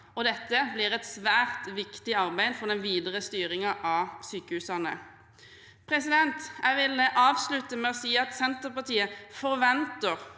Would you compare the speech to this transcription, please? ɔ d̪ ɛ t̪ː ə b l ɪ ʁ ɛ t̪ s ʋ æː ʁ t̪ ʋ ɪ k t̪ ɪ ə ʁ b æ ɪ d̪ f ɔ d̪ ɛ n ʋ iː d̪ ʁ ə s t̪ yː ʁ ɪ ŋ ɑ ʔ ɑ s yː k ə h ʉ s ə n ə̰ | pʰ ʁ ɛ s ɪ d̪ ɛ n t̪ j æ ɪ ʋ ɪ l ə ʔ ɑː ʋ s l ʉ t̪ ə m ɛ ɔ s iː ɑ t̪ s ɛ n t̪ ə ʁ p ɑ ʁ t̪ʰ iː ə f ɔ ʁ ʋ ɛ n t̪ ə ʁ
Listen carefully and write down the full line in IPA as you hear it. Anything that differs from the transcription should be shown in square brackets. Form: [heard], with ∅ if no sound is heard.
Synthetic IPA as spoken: ɔ d̪ ɛ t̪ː ə b l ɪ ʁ ɛ t̪ s ʋ æː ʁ t̪ ʋ ɪ k t̪ ɪ [ɑ] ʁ b æ ɪ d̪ f ɔ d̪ ɛ n ʋ iː d̪ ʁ ə s t̪ yː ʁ ɪ ŋ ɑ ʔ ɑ s yː k ə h ʉ s [ɑ] n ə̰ | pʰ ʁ ɛ s ɪ d̪ ɛ n t̪ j æ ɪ ʋ ɪ l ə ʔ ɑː ʋ s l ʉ t̪ ə m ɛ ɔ s iː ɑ t̪ s ɛ n t̪ ə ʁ p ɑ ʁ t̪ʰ iː ə f ɔ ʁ ʋ ɛ n t̪ ə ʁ